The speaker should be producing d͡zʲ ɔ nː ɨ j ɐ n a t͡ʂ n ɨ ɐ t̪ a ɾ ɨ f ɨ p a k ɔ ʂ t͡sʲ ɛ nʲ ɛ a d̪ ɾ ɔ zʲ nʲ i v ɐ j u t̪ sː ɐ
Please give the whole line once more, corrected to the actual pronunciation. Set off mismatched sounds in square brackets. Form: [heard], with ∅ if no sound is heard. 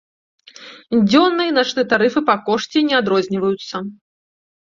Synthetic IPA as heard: d͡zʲ ɔ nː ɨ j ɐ n a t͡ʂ n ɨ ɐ t̪ a ɾ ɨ f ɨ p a k ɔ ʂ t͡sʲ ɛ nʲ ɛ a d̪ ɾ ɔ zʲ nʲ i v ɐ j u t̪ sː ɐ

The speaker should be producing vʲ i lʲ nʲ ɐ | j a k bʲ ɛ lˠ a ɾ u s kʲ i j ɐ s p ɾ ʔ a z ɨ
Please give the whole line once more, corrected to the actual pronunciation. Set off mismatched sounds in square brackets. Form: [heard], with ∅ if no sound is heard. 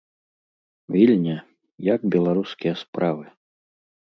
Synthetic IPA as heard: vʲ i lʲ nʲ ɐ | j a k bʲ ɛ lˠ a ɾ u s kʲ i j ɐ s p ɾ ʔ a [v] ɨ

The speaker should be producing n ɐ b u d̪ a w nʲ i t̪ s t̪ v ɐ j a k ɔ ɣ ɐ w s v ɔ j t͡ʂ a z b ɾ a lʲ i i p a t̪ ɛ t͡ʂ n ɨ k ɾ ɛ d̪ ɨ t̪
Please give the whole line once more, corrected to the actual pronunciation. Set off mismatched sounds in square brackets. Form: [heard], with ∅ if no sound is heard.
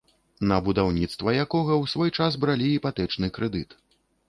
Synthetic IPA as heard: n ɐ b u d̪ a w nʲ i t̪ s t̪ v ɐ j a k ɔ ɣ ɐ w s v ɔ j t͡ʂ a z b ɾ a lʲ i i p a t̪ ɛ t͡ʂ n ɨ k ɾ ɛ d̪ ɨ t̪

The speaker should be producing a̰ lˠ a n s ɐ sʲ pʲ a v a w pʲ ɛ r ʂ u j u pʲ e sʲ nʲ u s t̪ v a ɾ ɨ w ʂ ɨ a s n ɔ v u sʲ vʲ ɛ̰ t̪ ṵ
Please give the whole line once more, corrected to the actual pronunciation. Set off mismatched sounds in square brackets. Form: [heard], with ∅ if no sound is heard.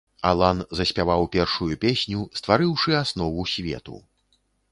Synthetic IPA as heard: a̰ lˠ a n [z] ɐ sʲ pʲ a v a w pʲ ɛ r ʂ u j u pʲ e sʲ nʲ u s t̪ v a ɾ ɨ w ʂ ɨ a s n ɔ v u sʲ vʲ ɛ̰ t̪ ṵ

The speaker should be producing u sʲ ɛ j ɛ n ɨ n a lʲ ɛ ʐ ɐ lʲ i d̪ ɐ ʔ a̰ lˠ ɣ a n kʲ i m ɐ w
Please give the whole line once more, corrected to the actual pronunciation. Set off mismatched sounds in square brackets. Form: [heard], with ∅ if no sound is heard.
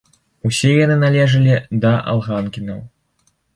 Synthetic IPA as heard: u sʲ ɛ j [a] n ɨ n a lʲ ɛ ʐ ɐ lʲ i d̪ ɐ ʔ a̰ lˠ ɣ a n kʲ i [n] ɐ w

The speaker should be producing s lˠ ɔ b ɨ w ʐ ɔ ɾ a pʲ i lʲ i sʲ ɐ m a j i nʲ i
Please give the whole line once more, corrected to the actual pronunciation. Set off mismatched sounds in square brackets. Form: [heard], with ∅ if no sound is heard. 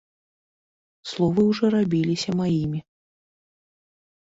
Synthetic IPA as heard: s lˠ ɔ [v] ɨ w ʐ ɔ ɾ a [bʲ] i lʲ i sʲ ɐ m a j i [mʲ] i

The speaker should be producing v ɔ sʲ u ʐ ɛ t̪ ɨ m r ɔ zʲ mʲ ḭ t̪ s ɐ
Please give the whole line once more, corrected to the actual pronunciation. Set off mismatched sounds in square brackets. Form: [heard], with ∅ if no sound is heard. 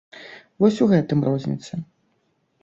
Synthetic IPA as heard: v ɔ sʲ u [ɣ] ɛ t̪ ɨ m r ɔ zʲ [nʲ] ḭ t̪ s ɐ

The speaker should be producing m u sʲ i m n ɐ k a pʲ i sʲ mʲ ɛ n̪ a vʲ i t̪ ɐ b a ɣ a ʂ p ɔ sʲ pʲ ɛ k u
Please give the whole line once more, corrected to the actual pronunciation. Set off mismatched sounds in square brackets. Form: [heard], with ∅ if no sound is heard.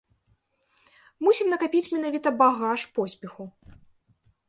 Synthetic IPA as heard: m u sʲ i m n ɐ k a pʲ i [t͡sʲ] mʲ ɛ n̪ a vʲ i t̪ ɐ b a ɣ a ʂ p ɔ sʲ pʲ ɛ [x] u

